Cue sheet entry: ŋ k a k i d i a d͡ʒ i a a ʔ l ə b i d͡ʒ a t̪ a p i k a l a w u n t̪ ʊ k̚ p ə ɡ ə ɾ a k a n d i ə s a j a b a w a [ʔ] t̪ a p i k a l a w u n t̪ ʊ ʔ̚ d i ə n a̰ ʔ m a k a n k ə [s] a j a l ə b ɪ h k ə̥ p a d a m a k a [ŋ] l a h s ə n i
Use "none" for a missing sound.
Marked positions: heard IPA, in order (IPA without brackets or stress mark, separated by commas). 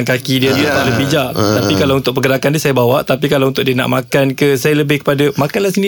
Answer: ʔ, s, n